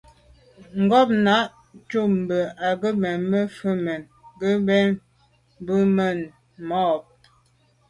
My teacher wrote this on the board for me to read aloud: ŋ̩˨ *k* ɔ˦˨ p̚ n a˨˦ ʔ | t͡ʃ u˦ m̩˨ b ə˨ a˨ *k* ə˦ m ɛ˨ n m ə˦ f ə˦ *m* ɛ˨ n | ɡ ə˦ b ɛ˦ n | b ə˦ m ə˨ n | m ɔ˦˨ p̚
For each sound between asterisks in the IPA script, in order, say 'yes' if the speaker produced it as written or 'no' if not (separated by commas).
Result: no, no, yes